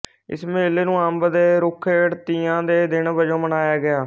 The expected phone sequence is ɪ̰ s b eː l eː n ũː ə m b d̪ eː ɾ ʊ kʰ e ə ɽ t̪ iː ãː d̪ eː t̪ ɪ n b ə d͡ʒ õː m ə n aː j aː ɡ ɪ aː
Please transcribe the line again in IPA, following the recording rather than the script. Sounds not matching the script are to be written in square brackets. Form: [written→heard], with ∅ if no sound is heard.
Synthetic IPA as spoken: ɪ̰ s [b→m] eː l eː n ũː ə m b d̪ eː ɾ ʊ kʰ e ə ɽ t̪ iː ãː d̪ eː [t̪→d̪] ɪ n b ə d͡ʒ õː m ə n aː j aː ɡ ɪ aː